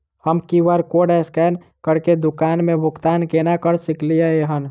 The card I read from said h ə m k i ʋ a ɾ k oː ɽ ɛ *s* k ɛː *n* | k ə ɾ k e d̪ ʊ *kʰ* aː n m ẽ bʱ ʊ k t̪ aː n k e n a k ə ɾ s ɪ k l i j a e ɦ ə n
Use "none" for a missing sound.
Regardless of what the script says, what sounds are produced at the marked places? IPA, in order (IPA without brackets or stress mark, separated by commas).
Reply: s, n, k